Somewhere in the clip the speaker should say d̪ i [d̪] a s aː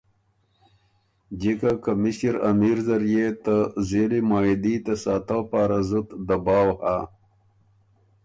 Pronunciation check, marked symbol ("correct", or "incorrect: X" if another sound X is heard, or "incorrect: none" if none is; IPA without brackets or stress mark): incorrect: t̪